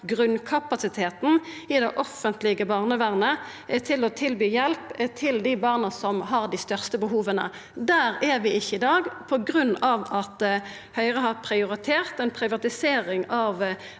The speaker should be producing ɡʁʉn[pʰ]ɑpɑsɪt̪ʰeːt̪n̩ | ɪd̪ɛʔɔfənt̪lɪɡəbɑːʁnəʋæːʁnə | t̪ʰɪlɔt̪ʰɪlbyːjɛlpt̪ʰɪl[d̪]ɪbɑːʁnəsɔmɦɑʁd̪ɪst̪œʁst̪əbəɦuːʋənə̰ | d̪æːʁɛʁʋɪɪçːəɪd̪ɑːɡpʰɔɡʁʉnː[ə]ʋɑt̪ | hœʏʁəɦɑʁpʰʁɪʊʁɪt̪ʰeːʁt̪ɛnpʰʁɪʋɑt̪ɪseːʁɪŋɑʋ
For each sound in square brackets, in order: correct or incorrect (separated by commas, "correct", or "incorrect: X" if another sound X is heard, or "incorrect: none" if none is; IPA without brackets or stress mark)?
incorrect: kʰ, correct, incorrect: ɑ